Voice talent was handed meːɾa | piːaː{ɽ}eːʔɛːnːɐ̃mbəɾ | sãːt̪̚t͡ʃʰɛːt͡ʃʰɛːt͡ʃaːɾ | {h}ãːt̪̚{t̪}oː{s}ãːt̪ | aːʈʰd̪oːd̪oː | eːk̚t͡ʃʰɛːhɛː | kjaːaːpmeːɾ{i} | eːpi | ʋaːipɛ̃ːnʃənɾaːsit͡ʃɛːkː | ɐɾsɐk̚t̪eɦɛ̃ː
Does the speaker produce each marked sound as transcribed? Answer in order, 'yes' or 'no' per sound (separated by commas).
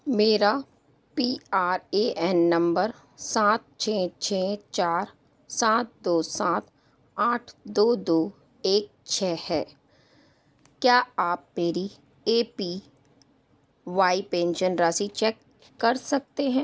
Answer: no, no, no, yes, yes